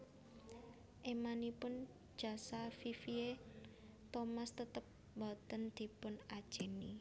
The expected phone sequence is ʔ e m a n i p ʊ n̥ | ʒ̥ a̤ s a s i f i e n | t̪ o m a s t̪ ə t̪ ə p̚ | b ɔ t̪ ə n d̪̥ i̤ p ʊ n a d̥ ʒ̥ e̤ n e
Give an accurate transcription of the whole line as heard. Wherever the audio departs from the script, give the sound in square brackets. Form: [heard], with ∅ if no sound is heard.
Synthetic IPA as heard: ʔ e m a n i p ʊ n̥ | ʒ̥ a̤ s a [f] i f i e [∅] | t̪ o m a s t̪ ə t̪ ə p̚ | b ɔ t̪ ə n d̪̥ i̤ p ʊ n a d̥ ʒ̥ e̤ n [i]

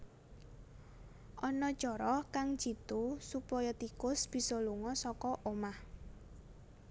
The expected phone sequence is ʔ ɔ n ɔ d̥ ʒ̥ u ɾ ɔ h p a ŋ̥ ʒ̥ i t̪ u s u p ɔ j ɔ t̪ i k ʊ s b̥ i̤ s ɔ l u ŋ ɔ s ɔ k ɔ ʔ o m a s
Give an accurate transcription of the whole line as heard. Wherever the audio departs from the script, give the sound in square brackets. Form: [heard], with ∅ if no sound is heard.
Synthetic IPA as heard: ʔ ɔ n ɔ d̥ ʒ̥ [ɔ] ɾ ɔ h [k] a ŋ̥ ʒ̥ i t̪ u s u p ɔ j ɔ t̪ i k ʊ s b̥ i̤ s ɔ l u ŋ ɔ s ɔ k ɔ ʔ o m a [h]

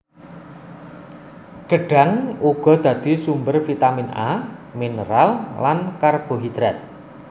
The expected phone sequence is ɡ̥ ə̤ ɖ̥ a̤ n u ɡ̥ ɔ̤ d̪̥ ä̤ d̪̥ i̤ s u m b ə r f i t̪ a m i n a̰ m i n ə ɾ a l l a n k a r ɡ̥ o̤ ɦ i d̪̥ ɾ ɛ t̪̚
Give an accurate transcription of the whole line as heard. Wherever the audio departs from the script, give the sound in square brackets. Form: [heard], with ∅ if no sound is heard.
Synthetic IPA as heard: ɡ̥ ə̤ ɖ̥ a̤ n u ɡ̥ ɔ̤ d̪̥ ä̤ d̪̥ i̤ s u m b ə r f i t̪ a m i n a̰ m i n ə ɾ a l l a n k a r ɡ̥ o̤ ɦ i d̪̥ ɾ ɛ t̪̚

